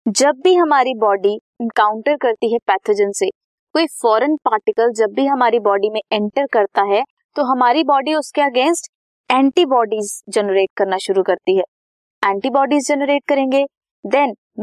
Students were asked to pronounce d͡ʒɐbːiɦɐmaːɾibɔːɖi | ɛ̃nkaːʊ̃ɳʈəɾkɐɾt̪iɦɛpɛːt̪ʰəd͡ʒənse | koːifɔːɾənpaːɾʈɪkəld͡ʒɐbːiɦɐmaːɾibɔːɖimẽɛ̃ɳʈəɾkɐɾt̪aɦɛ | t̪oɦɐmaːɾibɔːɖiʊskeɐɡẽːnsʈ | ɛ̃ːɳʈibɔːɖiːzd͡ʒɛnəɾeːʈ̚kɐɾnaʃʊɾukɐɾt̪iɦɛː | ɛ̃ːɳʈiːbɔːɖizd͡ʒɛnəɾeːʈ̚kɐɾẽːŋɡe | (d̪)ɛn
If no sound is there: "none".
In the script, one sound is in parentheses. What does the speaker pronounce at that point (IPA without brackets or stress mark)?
d̪